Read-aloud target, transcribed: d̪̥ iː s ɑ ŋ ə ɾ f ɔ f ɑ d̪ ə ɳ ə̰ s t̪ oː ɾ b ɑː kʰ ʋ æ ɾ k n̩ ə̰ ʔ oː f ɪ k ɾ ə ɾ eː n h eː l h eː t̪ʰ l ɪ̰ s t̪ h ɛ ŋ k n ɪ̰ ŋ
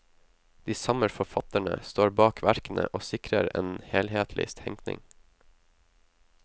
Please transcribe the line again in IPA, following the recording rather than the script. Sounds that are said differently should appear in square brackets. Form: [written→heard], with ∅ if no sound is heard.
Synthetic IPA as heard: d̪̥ iː s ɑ [ŋ→m] ə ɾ f ɔ f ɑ [d̪→t̪] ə ɳ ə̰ s t̪ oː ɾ b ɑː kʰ ʋ æ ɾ k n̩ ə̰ ʔ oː [f→s] ɪ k ɾ ə ɾ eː n h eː l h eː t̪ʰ l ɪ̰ s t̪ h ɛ ŋ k n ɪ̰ ŋ